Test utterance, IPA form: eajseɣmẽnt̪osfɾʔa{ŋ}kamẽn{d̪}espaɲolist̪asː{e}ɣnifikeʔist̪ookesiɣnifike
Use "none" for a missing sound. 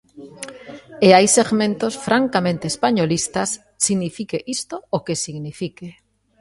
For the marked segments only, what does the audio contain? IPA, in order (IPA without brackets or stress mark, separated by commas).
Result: ŋ, t̪, i